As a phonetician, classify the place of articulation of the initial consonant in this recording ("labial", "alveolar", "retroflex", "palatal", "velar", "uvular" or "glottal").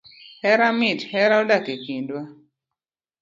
glottal